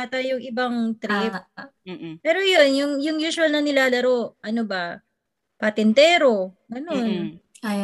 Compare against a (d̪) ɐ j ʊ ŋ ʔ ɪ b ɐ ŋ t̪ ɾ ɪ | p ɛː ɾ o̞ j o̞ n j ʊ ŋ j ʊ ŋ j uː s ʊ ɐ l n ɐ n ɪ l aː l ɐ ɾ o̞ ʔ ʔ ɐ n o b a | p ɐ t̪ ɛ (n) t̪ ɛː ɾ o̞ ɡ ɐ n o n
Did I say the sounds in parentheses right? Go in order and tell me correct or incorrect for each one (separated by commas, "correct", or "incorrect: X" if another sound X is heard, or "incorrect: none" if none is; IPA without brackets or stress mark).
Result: incorrect: t̪, correct